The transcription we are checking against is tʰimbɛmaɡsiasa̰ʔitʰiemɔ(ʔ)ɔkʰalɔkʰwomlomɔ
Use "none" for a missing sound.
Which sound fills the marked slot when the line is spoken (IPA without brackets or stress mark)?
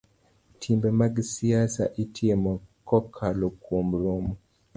k